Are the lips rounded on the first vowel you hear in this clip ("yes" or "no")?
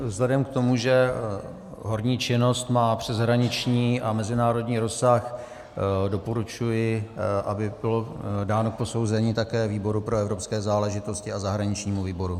no